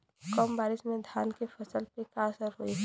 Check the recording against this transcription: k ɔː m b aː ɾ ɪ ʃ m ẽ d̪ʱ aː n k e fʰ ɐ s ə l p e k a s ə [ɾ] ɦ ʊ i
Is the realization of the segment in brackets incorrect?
no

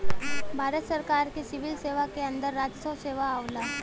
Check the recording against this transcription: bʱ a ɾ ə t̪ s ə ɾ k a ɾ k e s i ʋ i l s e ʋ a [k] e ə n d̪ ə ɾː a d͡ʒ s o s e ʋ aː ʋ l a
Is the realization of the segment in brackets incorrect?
no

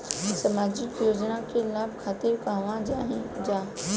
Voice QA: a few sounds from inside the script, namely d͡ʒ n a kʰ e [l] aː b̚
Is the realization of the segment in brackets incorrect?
no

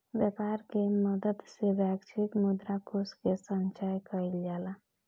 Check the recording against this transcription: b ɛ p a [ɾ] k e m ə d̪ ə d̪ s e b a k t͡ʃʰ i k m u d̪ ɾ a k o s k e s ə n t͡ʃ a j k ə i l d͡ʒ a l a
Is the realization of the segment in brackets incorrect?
no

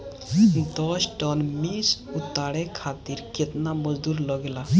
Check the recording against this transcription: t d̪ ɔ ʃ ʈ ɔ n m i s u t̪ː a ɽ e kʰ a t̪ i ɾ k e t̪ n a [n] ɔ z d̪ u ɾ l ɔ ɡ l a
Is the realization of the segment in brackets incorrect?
yes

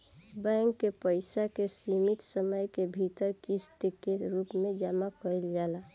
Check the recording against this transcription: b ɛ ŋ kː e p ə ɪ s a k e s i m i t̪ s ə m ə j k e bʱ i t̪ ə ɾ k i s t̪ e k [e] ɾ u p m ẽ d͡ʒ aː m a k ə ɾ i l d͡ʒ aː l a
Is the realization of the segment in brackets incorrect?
no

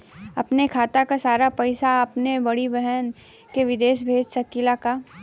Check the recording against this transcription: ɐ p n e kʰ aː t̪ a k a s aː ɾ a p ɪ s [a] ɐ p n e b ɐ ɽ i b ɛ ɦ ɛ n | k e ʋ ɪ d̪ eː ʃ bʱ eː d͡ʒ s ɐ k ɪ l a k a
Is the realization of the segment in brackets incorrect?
no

